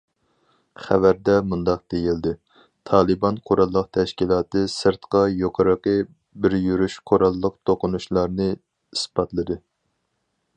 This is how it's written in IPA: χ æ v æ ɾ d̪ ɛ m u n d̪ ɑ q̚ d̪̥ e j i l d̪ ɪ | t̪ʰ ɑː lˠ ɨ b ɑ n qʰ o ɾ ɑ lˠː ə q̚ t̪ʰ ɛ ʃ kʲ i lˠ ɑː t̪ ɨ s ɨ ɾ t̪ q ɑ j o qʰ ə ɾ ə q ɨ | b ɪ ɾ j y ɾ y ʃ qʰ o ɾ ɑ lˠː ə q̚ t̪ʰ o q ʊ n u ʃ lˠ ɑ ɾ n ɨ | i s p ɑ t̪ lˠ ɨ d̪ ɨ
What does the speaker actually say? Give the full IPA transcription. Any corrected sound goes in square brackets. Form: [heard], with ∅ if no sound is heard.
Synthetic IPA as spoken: χ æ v æ ɾ d̪ ɛ m u n d̪ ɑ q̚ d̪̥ e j i l d̪ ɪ | t̪ʰ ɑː lˠ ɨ b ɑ n qʰ o ɾ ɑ lˠː ə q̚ t̪ʰ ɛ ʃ kʲ i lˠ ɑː t̪ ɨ s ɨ ɾ t̪ q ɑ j o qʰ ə ɾ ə q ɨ | b ɪ ɾ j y ɾ y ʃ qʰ o ɾ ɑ lˠː ə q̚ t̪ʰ o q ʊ n u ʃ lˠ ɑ ɾ n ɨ | i s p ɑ t̪ lˠ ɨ d̪ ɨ